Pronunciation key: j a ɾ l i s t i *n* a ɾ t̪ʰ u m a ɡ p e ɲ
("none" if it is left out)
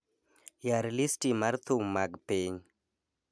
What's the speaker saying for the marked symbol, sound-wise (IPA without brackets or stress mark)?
m